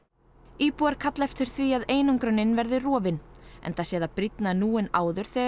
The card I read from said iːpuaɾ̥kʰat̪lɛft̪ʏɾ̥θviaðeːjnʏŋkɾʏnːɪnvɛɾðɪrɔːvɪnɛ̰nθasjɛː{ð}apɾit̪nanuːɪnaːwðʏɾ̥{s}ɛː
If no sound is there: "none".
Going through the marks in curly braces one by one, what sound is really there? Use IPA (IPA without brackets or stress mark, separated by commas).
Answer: ð, θ